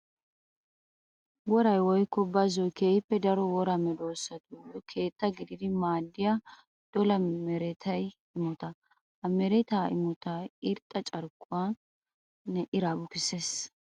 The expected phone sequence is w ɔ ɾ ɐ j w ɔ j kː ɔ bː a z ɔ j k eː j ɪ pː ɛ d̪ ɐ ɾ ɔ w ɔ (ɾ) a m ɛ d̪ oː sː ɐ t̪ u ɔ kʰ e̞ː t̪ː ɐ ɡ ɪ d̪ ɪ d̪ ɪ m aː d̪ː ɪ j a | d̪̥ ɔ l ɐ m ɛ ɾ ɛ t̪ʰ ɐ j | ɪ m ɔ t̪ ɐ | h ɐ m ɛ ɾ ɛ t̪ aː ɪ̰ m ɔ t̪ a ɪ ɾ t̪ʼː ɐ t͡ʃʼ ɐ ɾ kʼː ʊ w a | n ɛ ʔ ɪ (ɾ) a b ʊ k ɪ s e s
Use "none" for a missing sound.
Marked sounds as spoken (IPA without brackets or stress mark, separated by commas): ɾ, ɾ